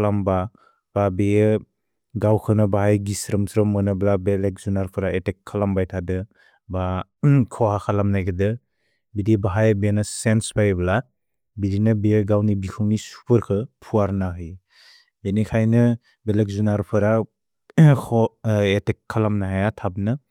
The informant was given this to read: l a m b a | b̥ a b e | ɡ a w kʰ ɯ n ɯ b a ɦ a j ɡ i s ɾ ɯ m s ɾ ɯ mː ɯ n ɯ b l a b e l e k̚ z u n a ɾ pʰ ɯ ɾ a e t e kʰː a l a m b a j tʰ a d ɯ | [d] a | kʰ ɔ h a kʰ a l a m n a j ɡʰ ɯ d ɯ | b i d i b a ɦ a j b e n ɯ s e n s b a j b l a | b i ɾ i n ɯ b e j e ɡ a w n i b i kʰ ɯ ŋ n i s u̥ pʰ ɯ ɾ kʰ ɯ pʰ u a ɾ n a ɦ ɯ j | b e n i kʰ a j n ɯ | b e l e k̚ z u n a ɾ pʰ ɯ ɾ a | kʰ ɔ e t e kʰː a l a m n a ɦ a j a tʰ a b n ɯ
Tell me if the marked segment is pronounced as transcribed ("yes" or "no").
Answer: no